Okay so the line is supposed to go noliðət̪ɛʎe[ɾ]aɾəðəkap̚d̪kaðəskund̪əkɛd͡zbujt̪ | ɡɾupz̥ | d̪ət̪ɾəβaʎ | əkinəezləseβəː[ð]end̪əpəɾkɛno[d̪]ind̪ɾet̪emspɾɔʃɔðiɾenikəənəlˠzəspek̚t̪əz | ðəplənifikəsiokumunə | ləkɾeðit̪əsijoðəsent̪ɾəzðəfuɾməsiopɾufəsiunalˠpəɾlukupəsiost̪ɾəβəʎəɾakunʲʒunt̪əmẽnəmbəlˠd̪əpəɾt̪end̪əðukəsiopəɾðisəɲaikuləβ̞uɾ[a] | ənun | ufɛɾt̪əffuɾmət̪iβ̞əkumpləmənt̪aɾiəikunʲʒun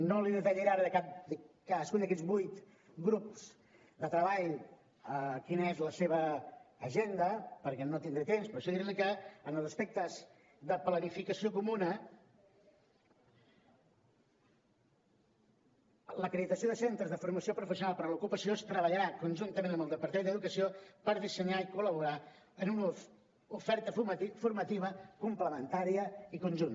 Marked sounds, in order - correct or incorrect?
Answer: correct, incorrect: ʒ, incorrect: t̪, correct

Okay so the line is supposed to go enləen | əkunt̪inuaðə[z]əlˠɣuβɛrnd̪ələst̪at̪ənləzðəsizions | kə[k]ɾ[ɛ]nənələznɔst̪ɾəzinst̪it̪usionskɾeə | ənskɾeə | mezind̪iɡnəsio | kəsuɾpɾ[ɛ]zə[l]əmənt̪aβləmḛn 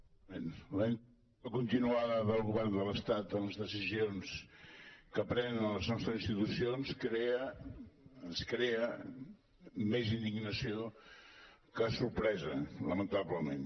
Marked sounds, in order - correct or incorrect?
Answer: incorrect: ð, incorrect: p, correct, correct, correct

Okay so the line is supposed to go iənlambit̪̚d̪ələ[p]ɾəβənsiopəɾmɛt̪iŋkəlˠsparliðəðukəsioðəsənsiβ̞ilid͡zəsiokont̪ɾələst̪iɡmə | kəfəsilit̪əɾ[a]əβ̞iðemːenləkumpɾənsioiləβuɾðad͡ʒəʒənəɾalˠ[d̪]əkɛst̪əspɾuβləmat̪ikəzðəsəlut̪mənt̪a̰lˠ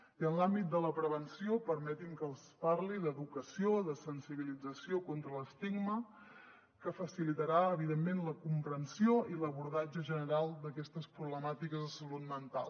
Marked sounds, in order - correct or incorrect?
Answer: correct, correct, correct

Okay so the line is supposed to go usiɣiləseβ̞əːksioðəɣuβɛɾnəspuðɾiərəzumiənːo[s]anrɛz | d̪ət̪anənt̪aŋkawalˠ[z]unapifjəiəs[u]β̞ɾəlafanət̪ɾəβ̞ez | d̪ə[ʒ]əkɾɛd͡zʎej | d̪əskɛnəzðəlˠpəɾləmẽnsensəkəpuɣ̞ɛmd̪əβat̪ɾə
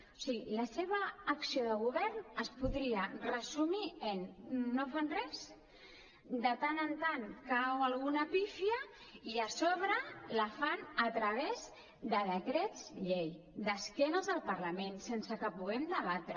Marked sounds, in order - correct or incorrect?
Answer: incorrect: f, incorrect: ɣ, incorrect: o, incorrect: ð

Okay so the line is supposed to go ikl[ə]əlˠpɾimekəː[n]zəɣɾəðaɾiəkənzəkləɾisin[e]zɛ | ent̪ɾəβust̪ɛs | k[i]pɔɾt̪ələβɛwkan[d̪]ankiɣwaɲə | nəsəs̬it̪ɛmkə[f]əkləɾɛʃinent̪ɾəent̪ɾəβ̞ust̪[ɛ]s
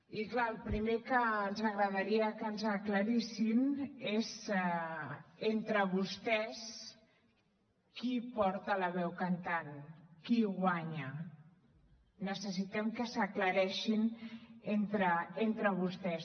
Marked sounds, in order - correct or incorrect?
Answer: incorrect: a, correct, correct, correct, incorrect: t̪, incorrect: s, correct

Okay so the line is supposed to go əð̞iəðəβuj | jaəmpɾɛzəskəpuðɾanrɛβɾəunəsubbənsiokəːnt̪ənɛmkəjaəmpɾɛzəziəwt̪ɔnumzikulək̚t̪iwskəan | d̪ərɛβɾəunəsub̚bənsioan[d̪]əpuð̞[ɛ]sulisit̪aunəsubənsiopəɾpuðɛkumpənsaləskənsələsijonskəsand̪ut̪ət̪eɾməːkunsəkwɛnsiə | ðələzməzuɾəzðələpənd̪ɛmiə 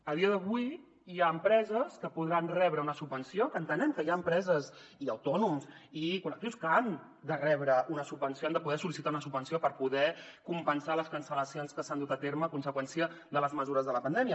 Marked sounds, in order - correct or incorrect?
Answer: correct, correct

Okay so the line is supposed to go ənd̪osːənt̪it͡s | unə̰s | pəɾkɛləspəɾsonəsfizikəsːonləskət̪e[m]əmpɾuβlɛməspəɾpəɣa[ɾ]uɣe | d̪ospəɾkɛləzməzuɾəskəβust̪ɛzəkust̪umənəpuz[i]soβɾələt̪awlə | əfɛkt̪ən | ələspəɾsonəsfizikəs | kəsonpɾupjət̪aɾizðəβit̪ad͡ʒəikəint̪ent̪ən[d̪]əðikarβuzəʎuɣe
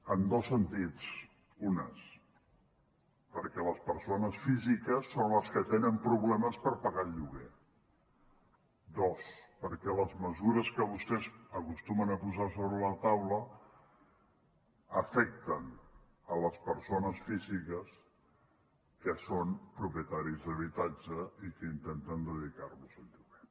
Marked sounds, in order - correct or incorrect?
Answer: incorrect: n, incorrect: ʎ, incorrect: a, correct

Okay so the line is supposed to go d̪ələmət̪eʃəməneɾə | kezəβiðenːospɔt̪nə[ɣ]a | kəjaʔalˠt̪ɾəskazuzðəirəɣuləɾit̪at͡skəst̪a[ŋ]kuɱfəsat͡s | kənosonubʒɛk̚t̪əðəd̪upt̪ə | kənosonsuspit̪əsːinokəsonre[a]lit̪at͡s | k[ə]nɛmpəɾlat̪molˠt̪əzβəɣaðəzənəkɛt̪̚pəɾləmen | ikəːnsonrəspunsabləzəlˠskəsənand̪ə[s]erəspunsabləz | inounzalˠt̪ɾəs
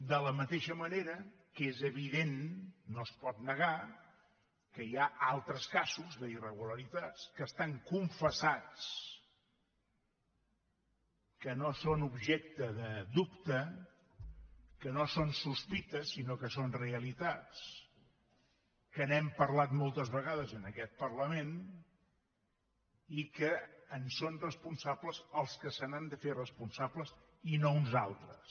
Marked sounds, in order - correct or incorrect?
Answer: correct, correct, incorrect: ə, correct, incorrect: f

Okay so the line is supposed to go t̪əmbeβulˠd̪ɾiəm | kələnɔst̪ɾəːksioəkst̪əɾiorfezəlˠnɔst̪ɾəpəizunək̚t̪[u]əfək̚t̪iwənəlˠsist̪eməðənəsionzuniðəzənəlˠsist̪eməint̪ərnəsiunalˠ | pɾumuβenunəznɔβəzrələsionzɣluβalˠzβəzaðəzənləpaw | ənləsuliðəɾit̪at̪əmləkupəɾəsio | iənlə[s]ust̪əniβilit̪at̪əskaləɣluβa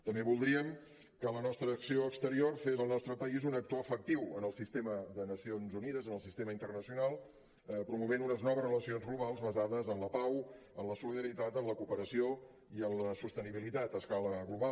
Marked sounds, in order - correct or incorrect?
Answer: incorrect: o, correct

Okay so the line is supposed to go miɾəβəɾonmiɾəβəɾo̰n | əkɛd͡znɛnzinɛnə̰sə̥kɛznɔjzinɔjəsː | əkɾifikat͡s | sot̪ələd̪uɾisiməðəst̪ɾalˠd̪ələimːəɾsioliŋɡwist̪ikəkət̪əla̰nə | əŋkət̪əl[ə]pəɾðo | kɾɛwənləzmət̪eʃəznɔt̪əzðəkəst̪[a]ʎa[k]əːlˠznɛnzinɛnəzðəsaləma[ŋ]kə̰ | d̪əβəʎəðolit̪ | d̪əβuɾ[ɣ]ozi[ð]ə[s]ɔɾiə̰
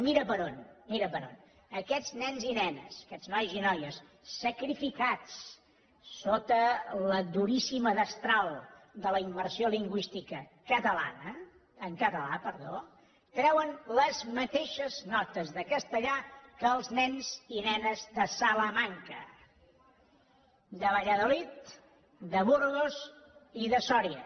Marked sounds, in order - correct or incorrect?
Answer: incorrect: a, incorrect: ə, correct, correct, correct, correct, correct

